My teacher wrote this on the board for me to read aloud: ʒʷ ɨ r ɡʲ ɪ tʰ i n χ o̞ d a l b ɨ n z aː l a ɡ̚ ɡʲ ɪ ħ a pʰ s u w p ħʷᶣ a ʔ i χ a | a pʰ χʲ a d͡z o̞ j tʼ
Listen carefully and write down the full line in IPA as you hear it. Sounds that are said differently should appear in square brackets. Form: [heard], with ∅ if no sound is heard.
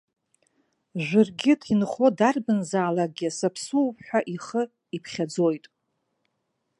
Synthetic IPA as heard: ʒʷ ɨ r ɡʲ ɪ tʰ i n χ o̞ d a [r] b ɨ n z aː l a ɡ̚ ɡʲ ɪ [s] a pʰ s u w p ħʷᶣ a ʔ i χ [ə] | [i] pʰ χʲ a d͡z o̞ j tʼ

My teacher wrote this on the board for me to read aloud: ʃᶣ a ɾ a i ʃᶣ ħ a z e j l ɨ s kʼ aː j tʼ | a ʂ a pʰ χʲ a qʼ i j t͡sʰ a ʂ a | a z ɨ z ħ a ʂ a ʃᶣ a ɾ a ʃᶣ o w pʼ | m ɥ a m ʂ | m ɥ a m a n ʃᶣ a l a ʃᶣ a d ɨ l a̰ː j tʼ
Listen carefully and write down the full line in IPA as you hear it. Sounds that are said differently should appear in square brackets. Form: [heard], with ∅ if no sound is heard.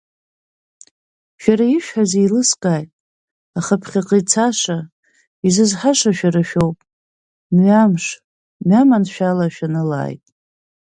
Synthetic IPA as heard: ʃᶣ a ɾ a i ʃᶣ ħ a z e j l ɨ s kʼ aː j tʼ | a [χ] a pʰ χʲ a qʼ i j t͡sʰ a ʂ a | [i] z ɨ z ħ a ʂ a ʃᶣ a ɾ a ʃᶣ o w pʼ | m ɥ a m ʂ | m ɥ a m a n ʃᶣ a l a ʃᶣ a [n] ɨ l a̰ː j tʼ

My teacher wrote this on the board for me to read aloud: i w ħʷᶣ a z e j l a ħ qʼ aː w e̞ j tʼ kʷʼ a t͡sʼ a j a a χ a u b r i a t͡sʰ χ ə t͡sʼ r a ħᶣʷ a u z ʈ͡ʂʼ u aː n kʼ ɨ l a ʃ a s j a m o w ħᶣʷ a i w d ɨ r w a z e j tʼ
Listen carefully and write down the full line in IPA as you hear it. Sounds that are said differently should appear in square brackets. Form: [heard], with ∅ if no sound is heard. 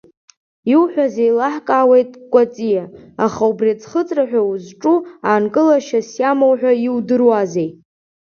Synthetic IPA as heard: i w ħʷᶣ a z e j l a ħ [kʼ] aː w e̞ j tʼ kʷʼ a t͡sʼ [i] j a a χ a u b r i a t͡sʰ χ ə t͡sʼ r a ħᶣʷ a u z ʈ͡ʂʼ u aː n kʼ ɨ l a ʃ a s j a m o w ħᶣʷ a i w d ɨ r w a z e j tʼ

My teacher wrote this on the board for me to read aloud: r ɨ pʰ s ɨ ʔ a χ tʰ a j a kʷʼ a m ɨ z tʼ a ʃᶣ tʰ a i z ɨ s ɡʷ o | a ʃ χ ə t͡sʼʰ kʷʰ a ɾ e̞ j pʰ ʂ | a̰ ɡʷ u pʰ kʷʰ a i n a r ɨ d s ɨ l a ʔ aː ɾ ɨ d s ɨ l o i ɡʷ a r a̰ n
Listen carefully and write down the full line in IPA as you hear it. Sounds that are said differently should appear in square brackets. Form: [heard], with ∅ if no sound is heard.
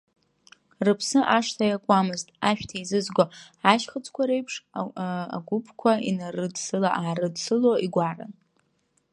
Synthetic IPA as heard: r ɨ pʰ s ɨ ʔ a [ʂ] tʰ a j a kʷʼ a m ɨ z tʼ a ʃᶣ tʰ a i z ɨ [z] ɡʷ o | a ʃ χ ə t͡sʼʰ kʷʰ a ɾ e̞ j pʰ ʂ | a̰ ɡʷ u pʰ kʷʰ a i n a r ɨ d s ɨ l a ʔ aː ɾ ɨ d s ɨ l o i ɡʷ a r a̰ n

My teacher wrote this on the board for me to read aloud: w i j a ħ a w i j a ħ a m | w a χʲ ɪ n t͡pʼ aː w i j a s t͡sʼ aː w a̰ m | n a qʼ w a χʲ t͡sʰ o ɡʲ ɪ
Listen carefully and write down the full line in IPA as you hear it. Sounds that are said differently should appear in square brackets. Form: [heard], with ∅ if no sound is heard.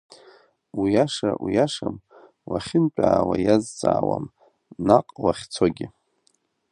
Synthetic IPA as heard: w i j a [ʂ] a w i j a [ʂ] a m | w a χʲ ɪ n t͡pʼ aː w [a] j a [z] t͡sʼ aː w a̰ m | n a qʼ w a χʲ t͡sʰ o ɡʲ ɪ

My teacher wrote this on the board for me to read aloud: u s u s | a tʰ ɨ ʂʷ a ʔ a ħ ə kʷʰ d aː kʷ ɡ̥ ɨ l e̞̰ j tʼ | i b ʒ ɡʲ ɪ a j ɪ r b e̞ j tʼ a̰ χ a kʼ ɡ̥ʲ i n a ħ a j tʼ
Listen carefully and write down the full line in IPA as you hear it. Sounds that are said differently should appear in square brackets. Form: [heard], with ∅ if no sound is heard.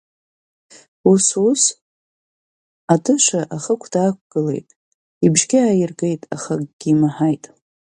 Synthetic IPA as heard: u s u s | a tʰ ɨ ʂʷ a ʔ a [χ] ə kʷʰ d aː kʷ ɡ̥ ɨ l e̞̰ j tʼ | i b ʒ ɡʲ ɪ a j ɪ r [ɡ] e̞ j tʼ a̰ χ a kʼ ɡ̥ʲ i [m] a ħ a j tʼ

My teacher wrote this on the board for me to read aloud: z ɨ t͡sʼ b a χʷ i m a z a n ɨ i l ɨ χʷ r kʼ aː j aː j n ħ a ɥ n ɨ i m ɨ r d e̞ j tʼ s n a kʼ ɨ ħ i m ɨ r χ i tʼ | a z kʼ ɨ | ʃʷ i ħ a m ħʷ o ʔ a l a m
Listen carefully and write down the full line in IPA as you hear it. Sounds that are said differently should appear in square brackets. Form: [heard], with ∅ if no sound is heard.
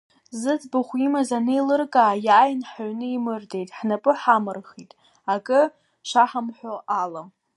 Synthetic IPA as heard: z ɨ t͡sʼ b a χʷ i m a z a n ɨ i l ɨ [∅] r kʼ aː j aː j n ħ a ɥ n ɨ i m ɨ r d e̞ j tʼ [ħ] n a [pʼ] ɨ ħ [a] m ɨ r χ i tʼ | a [∅] kʼ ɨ | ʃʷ [a] ħ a m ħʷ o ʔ a l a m

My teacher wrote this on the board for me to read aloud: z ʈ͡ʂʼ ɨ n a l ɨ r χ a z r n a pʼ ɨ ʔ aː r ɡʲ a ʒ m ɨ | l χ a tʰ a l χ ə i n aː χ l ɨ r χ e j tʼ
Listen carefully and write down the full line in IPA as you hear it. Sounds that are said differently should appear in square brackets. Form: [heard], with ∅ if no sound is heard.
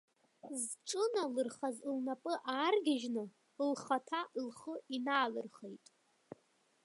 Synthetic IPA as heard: z ʈ͡ʂʼ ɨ n a l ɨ r χ a z [l] n a pʼ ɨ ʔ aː r ɡʲ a ʒ [n] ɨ | l χ a tʰ a l χ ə i n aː [∅] l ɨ r χ e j tʼ

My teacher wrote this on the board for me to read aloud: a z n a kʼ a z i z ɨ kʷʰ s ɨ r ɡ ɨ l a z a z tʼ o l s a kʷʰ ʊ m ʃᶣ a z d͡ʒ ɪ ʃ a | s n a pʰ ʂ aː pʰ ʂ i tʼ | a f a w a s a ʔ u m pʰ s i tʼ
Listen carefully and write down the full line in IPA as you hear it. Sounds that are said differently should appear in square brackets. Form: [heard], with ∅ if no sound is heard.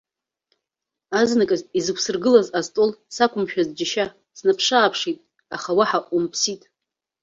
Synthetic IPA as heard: a z n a kʼ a z i z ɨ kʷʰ s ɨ r ɡ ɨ l a z a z tʼ o l s a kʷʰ ʊ m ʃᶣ a z d͡ʒ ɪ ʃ a | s n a pʰ ʂ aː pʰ ʂ i tʼ | a [χ] a w a [ħ] a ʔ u m pʰ s i tʼ

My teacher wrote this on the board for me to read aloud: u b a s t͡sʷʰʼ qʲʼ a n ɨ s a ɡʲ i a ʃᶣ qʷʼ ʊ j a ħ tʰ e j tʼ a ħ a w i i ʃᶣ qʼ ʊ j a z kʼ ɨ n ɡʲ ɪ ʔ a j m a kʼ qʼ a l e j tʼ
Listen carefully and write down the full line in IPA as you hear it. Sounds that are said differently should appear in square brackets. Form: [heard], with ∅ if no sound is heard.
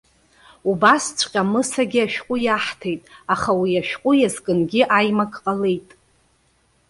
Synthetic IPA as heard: u b a s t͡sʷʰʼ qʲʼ a [m] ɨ s a ɡʲ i a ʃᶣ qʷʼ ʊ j a ħ tʰ e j tʼ a [χ] a w i [a] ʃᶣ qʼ ʊ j a z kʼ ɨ n ɡʲ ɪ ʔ a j m a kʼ qʼ a l e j tʼ

